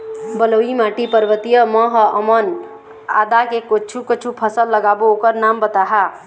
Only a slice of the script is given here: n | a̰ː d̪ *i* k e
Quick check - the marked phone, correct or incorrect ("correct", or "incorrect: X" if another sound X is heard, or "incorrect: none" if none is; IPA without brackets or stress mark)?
incorrect: a